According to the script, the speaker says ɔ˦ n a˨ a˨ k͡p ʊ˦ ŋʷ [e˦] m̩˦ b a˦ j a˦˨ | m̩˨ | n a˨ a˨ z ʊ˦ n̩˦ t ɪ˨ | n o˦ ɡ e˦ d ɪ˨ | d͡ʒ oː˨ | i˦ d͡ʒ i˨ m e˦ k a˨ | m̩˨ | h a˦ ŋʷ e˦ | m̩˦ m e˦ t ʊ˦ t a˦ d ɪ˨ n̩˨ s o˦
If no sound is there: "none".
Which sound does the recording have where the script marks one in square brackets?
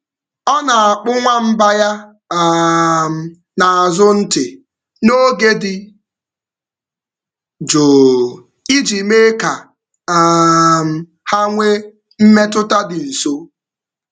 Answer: a˦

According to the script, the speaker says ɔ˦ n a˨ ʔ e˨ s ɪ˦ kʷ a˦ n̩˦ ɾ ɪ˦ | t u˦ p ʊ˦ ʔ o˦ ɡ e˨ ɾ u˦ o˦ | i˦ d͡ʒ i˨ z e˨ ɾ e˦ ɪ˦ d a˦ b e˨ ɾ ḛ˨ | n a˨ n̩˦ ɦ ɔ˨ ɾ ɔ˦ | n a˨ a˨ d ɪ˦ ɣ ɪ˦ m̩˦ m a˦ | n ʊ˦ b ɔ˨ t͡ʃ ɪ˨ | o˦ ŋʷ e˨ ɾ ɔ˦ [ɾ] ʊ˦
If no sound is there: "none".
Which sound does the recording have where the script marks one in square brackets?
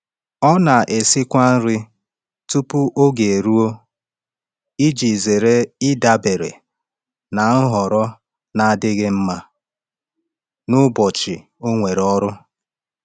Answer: ɾ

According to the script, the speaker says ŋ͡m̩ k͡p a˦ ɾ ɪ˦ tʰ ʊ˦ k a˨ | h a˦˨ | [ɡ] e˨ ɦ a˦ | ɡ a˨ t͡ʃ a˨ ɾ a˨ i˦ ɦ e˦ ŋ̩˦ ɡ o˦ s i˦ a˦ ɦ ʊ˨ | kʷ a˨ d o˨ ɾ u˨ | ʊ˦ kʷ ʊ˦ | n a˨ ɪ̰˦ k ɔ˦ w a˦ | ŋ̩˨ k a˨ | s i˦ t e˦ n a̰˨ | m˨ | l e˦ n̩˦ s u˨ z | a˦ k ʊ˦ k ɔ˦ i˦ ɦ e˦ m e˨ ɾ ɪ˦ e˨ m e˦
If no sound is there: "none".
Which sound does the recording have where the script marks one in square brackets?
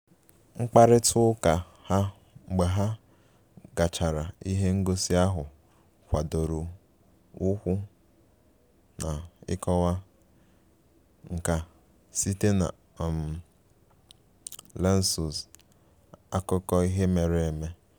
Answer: ɡ͡b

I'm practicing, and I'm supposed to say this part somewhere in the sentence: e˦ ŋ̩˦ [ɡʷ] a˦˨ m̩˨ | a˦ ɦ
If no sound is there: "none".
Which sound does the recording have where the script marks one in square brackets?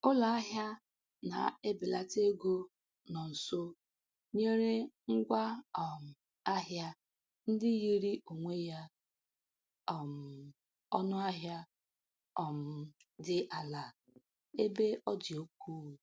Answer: ɡʷ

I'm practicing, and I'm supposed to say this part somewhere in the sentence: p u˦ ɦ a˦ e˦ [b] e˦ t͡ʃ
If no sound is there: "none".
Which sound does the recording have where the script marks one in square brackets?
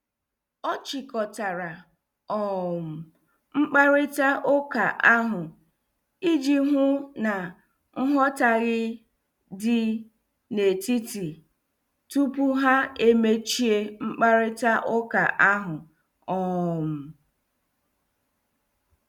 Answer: m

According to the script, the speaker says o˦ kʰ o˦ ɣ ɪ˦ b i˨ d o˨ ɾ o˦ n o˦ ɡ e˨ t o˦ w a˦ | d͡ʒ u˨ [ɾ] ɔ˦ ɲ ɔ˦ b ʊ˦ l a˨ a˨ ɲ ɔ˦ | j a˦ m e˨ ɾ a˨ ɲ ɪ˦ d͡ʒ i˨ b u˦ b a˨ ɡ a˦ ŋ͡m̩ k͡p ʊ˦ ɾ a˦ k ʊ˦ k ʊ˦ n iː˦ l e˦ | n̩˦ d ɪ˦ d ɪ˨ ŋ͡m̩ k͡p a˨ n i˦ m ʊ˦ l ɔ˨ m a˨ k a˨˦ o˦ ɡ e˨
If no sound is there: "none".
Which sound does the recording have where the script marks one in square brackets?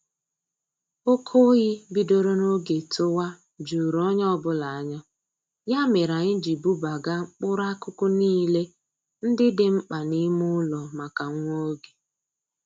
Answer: ɾ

